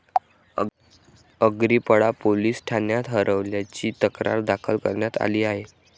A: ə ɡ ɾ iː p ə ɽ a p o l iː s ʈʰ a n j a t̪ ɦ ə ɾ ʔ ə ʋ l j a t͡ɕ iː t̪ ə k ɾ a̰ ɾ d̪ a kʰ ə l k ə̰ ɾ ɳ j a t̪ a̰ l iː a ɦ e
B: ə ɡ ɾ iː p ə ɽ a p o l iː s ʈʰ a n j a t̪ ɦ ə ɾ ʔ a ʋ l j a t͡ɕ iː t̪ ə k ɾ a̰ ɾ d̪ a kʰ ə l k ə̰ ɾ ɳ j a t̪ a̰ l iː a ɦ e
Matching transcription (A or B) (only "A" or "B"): A